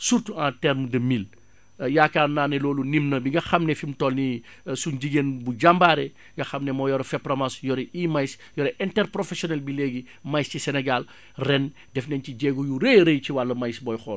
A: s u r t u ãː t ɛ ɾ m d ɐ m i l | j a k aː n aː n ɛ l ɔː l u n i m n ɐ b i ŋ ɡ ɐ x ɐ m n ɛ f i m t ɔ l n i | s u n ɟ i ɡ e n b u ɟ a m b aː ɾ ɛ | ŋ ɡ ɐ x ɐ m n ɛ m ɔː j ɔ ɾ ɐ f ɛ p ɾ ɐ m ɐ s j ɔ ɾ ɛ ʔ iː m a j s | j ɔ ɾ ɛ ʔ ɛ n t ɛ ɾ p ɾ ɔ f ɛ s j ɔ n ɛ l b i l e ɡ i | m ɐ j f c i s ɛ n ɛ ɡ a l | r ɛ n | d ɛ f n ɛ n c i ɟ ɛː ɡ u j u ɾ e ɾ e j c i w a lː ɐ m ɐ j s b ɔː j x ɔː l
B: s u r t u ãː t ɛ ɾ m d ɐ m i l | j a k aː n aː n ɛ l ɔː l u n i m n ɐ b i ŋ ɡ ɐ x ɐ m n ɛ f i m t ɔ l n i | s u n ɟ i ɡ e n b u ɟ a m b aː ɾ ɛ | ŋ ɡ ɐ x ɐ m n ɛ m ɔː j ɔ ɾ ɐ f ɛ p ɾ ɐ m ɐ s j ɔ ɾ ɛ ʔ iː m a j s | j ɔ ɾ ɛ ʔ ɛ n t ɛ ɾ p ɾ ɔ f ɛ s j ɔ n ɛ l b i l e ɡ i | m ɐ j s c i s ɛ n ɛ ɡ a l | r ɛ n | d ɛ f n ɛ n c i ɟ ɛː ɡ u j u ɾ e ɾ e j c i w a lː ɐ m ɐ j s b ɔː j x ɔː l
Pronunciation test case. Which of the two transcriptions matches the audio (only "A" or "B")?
B